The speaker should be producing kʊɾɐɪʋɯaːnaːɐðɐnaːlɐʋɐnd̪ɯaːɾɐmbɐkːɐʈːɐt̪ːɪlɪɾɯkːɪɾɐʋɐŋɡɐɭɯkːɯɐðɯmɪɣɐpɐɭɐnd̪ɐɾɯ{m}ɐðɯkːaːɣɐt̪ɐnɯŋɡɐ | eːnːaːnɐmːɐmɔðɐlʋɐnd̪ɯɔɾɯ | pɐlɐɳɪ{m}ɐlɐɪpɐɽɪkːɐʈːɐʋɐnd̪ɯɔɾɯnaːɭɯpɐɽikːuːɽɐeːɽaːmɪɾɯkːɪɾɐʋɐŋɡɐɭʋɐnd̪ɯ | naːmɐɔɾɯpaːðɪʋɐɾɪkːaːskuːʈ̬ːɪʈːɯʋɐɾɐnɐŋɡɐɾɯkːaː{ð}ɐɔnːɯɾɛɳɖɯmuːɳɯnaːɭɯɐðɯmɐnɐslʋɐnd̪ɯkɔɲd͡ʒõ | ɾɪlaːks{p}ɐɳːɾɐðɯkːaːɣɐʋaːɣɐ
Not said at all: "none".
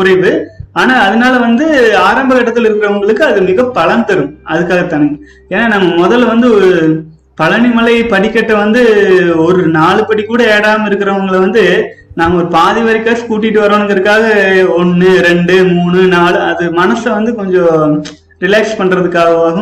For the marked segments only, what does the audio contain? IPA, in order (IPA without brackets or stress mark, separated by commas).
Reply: m, m, ɣ, p